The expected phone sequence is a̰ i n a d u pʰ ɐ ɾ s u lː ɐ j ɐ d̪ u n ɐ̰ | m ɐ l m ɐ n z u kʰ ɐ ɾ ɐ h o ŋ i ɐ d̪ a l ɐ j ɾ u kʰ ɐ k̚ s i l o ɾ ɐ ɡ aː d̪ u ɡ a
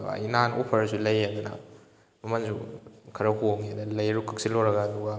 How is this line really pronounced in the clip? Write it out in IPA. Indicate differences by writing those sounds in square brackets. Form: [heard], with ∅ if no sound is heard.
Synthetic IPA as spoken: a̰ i n a [n] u pʰ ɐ ɾ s u [l] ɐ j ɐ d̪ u n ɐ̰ | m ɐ [∅] m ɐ n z u kʰ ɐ ɾ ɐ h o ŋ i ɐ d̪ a l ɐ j ɾ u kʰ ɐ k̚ s i l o ɾ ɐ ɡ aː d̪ u ɡ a